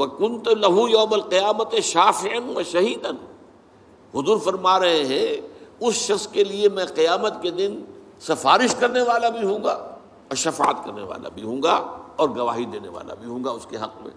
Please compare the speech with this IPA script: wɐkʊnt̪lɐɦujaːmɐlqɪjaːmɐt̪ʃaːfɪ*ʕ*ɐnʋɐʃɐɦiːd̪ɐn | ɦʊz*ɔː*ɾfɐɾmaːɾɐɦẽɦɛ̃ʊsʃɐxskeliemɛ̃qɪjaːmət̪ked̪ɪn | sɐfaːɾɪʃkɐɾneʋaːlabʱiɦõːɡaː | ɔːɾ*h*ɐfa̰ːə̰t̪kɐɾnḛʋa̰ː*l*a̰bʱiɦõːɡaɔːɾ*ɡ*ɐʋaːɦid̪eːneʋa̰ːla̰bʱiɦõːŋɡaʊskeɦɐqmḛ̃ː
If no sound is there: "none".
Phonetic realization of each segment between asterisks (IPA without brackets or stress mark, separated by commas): ʕ, uː, ʃ, l, ɡ